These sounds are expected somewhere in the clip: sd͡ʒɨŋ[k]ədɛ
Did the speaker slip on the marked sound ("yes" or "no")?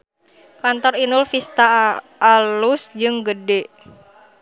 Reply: yes